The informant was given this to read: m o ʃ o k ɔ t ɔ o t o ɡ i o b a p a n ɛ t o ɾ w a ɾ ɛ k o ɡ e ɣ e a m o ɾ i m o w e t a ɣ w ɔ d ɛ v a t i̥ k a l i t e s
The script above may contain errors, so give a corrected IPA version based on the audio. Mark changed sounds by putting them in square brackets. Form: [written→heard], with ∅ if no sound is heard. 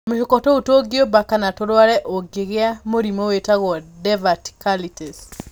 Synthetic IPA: m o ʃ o k ɔ t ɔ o t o ɡ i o b a [p→k] a n [ɛ→a] t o ɾ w a ɾ ɛ [k→ʔ] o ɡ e ɣ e a m o ɾ i m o w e t a ɣ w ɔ d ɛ v a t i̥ k a l i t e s